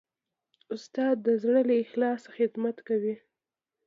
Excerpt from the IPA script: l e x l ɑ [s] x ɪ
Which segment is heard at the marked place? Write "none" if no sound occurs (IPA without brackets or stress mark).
s